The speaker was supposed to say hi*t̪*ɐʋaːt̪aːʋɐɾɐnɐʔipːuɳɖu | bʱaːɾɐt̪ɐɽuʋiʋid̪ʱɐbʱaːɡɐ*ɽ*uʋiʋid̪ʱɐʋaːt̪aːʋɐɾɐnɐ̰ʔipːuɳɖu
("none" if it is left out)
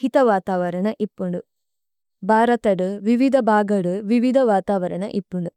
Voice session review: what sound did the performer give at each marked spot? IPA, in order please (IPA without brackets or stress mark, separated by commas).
t̪, ɽ